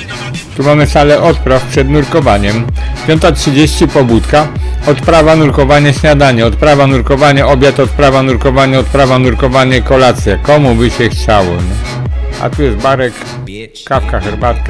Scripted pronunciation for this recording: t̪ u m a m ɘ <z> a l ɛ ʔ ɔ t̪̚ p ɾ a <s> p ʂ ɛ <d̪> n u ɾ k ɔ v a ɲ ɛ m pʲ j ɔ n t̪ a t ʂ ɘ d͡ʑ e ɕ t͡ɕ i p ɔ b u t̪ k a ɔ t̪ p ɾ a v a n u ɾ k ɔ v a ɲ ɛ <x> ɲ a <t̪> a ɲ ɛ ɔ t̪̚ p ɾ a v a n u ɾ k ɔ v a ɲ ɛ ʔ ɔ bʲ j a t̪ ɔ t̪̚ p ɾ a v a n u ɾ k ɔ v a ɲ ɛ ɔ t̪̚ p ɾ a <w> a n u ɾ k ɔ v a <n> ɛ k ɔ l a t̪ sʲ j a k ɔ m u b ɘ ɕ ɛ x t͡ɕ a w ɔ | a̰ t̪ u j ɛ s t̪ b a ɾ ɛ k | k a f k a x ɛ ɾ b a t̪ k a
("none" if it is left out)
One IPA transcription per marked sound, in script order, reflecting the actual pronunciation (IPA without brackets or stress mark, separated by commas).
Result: s, f, d̪, ɕ, d̪, v, ɲ